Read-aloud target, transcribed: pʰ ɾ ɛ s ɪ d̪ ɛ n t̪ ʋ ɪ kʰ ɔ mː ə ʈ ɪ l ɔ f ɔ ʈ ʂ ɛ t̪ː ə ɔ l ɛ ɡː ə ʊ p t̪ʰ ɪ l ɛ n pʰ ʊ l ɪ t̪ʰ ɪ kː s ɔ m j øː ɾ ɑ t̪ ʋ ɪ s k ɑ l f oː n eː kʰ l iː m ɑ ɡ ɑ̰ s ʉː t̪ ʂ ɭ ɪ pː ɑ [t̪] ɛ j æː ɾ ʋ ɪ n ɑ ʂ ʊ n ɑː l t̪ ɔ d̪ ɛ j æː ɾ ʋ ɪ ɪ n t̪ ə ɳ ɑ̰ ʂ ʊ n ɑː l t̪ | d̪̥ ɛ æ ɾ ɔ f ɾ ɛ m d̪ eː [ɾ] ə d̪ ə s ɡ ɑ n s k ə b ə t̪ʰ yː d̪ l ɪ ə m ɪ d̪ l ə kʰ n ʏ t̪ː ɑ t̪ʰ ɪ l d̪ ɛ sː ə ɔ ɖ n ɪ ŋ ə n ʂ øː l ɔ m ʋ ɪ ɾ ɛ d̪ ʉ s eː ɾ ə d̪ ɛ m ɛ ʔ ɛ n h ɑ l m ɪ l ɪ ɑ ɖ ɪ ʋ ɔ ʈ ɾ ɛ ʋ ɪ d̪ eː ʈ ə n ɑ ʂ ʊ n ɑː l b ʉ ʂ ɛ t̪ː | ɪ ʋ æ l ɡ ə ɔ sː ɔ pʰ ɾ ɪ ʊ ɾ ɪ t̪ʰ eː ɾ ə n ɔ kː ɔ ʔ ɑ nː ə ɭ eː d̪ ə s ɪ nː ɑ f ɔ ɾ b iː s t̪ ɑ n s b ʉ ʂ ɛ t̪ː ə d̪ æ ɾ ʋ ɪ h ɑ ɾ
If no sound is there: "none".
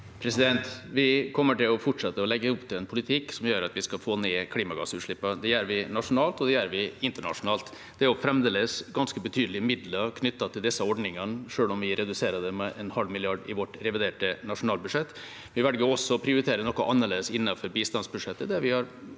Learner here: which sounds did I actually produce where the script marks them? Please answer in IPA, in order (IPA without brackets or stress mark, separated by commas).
d̪, l